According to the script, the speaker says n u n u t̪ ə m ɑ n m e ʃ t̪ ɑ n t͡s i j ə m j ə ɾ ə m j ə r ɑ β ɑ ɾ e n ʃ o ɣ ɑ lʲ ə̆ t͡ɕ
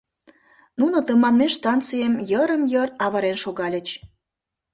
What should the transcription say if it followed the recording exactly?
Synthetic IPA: n u n o t̪ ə m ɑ n m e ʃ t̪ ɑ n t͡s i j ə m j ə ɾ ə m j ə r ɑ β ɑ ɾ e n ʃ o ɣ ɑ lʲ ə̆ t͡ɕ